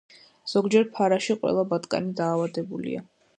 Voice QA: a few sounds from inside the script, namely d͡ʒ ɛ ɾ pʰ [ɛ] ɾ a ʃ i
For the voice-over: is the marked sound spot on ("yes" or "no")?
no